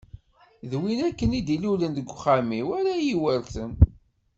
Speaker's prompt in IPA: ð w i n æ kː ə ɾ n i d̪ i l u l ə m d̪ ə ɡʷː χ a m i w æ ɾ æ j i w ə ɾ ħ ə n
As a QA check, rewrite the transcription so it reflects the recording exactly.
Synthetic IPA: ð w i n æ kː ə n i d̪ i l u l ə n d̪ ə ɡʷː χ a m i w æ ɾ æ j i w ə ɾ θ ə n